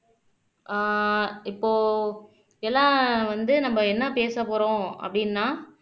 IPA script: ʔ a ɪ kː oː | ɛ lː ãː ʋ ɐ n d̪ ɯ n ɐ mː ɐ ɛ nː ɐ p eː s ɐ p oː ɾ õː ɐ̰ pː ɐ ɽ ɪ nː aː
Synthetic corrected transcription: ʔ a ɪ pː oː | ɛ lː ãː ʋ ɐ n d̪ ɯ n ɐ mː ɐ ɛ nː ɐ p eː s ɐ p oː ɾ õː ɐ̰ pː ɐ ɽ ɪ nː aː